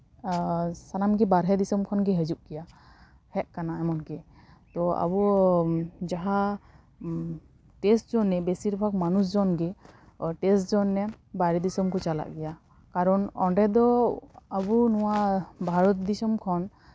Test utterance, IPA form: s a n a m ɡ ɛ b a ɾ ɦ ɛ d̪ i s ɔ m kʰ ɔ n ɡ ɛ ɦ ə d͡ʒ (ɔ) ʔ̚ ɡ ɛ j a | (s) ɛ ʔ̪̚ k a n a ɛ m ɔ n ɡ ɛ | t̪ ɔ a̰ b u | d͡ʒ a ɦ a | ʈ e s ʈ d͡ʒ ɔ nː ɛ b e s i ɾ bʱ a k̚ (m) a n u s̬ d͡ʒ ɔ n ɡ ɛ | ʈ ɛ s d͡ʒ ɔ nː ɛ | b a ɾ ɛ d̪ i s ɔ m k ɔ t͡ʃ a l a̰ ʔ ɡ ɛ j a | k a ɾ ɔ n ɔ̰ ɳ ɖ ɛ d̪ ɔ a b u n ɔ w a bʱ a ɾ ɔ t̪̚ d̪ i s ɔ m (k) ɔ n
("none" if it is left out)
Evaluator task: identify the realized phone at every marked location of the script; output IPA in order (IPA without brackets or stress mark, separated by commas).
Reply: u, h, m, kʰ